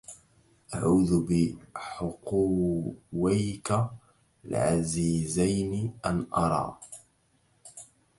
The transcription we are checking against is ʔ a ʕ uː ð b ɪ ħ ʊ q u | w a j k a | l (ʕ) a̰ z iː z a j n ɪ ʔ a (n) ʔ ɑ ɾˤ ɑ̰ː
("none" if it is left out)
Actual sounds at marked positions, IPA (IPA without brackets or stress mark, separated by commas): ʕ, n